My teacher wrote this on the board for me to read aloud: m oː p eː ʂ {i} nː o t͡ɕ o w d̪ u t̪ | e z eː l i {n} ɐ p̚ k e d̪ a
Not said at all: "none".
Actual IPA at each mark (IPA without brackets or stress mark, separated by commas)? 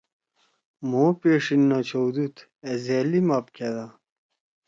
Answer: i, m